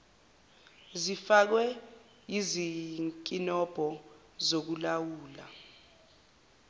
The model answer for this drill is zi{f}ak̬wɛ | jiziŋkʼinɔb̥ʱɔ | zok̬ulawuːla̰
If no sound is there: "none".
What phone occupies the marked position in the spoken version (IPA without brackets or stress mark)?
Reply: f